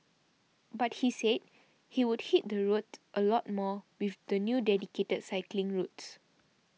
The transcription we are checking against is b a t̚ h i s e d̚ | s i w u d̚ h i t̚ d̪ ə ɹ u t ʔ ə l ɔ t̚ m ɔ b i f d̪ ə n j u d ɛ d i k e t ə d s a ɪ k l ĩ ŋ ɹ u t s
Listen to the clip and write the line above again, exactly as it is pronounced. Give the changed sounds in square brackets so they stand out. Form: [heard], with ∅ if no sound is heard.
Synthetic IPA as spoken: b a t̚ h i s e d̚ | [h] i w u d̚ h i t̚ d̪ ə ɹ u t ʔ ə l ɔ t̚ m ɔ [w] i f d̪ ə n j u d ɛ d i k e t ə d s a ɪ k l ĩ ŋ ɹ u t s